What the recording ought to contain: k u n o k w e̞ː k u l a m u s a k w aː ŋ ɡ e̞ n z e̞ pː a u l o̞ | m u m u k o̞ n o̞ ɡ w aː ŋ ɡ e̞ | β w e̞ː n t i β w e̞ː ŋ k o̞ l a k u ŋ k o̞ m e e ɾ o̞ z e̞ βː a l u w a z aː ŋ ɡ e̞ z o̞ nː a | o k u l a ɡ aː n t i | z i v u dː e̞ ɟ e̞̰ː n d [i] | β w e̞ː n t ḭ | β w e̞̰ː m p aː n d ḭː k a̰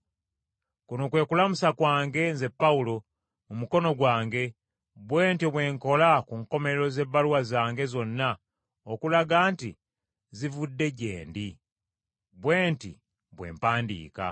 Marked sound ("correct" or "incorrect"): correct